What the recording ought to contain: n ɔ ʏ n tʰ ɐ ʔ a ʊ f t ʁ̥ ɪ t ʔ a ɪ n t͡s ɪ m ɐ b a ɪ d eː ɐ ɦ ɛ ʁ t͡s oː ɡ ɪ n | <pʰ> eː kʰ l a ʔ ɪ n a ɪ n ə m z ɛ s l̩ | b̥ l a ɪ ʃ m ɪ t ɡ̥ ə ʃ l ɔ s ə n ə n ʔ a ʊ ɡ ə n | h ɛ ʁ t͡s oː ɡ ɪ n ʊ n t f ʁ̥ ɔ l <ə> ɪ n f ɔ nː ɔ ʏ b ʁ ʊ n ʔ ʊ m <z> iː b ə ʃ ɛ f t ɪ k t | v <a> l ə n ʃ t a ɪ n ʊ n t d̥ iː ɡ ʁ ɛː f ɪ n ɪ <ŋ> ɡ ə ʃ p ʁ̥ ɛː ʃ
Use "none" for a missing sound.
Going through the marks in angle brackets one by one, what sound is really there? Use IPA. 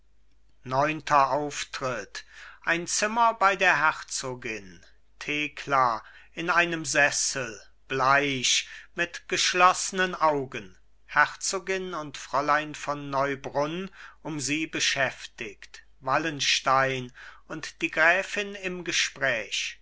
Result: tʰ, a, z, a, m

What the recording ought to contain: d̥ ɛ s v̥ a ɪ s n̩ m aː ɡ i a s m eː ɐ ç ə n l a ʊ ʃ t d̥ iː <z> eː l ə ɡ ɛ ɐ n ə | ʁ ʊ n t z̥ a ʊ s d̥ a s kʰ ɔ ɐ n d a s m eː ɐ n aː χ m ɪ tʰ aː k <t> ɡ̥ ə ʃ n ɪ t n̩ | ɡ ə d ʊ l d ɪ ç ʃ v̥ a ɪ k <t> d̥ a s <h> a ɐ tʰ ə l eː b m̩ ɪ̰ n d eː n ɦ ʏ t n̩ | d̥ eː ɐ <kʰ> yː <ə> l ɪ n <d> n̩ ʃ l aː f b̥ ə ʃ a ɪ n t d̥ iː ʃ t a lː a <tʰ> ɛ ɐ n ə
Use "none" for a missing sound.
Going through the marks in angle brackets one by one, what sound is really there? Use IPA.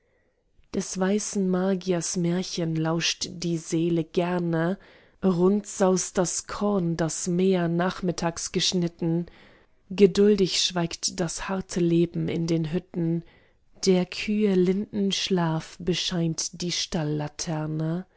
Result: z, s, t, h, kʰ, ə, d, tʰ

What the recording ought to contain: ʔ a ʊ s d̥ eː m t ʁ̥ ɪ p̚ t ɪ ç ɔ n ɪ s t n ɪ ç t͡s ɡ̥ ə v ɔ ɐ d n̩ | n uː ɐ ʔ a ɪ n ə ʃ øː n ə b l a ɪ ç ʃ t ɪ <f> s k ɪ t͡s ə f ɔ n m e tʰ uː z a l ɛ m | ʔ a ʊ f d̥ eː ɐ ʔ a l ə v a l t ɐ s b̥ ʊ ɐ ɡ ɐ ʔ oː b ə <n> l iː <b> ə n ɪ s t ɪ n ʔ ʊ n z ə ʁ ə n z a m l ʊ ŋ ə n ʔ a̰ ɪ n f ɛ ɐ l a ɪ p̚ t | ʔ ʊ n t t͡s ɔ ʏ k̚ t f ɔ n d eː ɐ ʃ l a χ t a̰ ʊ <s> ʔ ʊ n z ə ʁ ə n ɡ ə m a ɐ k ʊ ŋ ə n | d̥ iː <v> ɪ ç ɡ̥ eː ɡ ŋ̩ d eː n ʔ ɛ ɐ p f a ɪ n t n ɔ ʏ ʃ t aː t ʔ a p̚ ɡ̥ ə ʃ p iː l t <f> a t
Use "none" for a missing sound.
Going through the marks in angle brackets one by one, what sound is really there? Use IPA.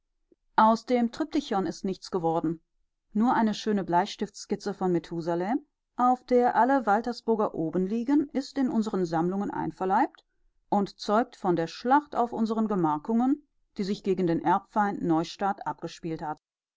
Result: f, n, ɡ, f, z, h

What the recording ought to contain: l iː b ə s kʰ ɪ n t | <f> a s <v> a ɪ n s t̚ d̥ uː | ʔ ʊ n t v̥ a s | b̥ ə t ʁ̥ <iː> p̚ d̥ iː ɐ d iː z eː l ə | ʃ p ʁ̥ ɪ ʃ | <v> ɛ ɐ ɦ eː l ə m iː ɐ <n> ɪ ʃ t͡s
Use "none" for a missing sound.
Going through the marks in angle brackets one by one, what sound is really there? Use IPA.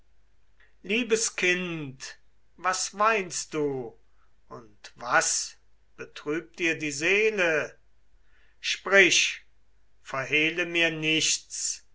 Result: v, v, yː, f, n

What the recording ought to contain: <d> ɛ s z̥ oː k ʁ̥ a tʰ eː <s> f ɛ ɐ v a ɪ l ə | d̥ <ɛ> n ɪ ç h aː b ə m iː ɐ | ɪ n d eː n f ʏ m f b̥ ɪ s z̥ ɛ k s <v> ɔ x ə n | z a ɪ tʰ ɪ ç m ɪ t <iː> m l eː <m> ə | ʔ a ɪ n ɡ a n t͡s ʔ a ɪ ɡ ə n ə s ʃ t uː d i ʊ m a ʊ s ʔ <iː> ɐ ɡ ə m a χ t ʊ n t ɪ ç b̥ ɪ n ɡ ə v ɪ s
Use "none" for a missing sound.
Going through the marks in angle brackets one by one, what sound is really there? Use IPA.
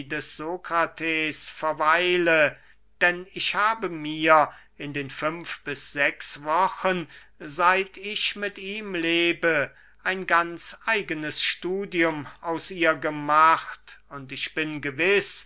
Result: d, s, ɛ, v, iː, b, iː

